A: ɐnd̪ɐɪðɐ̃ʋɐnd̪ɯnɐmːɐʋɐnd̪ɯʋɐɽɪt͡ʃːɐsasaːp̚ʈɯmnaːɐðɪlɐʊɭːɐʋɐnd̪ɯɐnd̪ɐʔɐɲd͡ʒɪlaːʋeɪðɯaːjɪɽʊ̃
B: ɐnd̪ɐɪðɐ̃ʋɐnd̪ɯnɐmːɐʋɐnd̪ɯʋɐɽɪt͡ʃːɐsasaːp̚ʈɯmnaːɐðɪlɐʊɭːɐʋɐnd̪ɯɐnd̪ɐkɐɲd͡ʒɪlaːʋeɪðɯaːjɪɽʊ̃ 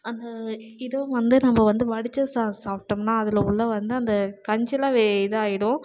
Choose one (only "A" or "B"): B